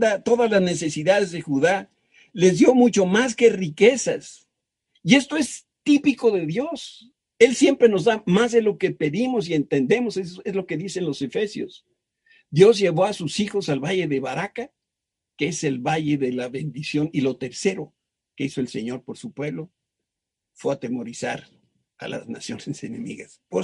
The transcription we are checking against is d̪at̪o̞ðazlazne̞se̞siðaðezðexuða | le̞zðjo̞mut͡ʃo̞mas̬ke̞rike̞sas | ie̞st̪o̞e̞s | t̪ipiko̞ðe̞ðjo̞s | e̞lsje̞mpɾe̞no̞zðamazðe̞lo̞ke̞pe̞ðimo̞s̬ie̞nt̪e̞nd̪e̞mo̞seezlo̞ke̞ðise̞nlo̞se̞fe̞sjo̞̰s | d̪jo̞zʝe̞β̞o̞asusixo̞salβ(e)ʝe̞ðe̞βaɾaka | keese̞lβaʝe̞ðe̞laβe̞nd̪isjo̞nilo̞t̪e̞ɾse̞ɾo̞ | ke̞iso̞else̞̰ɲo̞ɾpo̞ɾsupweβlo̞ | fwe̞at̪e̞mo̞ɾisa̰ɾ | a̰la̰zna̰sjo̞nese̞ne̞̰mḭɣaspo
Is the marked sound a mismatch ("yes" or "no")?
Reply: yes